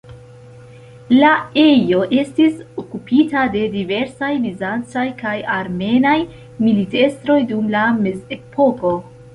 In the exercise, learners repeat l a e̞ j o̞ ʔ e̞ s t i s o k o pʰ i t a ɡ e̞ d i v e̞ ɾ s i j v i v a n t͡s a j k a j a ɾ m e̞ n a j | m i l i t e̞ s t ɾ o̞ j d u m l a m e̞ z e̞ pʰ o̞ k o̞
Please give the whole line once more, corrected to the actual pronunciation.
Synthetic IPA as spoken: l a e̞ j o̞ ʔ e̞ s t i s o k u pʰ i t a d e̞ d i v e̞ ɾ s a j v i z a n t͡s a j k a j a ɾ m e̞ n a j | m i l i t e̞ s t ɾ o̞ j d u m l a m e̞ z e̞ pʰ o̞ k o̞